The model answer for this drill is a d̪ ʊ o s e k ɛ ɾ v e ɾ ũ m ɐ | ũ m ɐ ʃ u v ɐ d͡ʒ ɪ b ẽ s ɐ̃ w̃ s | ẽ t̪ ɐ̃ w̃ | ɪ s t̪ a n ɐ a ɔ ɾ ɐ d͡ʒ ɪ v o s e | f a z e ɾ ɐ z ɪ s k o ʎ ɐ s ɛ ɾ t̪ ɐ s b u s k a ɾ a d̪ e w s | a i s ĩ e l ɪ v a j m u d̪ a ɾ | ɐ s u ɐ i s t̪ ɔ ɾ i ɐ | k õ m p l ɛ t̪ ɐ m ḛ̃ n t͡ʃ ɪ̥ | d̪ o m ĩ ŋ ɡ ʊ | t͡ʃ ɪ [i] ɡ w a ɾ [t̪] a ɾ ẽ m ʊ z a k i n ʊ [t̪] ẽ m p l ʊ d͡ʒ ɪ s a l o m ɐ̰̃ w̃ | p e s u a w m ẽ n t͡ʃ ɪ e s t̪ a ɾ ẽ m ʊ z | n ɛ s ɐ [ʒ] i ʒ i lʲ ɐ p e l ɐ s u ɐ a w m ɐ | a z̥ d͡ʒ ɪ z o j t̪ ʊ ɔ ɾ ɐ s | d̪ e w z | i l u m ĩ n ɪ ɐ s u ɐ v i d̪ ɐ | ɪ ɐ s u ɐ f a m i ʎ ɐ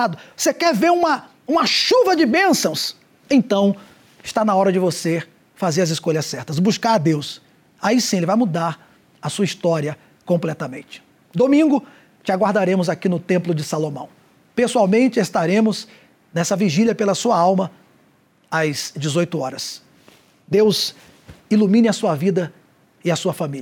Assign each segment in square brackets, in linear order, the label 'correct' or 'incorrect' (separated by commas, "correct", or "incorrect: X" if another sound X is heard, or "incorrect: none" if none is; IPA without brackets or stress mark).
incorrect: a, incorrect: d̪, correct, incorrect: v